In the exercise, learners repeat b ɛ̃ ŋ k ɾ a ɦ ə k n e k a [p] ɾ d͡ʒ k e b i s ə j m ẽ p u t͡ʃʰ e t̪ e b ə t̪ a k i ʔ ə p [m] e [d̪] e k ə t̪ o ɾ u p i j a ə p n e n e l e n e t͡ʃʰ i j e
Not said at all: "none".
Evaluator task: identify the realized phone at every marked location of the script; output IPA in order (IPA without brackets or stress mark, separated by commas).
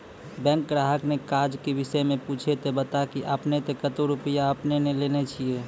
none, n, t̪